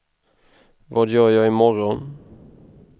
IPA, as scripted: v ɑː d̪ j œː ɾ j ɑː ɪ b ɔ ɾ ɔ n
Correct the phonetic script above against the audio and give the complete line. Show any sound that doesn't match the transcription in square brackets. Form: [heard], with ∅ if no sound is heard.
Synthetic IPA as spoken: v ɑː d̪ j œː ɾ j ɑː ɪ [m] ɔ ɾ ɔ n